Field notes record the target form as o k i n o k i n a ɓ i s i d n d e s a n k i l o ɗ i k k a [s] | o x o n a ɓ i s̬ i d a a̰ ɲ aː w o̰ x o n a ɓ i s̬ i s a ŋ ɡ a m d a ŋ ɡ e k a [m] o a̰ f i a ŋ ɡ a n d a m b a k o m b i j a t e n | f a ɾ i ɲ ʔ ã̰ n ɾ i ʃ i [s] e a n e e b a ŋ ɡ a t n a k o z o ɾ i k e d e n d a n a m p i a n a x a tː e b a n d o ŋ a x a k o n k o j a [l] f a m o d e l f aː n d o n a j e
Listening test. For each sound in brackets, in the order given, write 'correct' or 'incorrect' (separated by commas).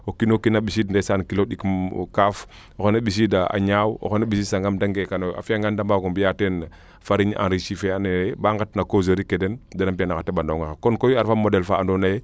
incorrect, incorrect, incorrect, incorrect